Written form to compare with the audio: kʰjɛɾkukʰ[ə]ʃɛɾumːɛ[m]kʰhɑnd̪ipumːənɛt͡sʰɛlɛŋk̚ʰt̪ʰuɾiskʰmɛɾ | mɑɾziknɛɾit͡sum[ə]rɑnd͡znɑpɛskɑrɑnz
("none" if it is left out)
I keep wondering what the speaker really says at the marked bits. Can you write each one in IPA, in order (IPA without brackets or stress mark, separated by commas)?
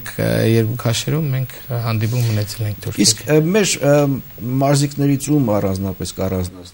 ɑ, ŋ, ɑ